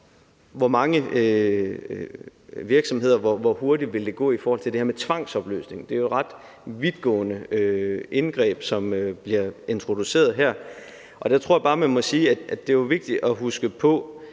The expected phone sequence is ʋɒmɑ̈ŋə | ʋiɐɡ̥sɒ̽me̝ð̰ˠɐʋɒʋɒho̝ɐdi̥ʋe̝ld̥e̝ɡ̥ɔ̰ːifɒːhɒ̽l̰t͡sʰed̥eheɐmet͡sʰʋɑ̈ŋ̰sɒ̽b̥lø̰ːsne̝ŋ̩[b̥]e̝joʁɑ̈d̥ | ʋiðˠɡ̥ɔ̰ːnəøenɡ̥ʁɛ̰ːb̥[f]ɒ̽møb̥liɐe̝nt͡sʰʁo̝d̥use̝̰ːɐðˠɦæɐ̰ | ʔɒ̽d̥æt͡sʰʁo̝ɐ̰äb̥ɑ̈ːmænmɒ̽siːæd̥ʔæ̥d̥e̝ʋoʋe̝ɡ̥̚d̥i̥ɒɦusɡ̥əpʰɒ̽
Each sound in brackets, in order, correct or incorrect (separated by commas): incorrect, incorrect